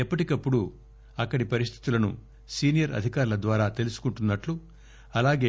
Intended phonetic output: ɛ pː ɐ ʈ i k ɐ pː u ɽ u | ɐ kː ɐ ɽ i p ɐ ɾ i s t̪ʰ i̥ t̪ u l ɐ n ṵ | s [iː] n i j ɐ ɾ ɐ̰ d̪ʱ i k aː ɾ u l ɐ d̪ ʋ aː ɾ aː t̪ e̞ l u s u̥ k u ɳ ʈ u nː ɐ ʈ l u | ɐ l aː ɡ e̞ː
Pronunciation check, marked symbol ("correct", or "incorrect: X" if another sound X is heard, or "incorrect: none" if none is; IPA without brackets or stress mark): correct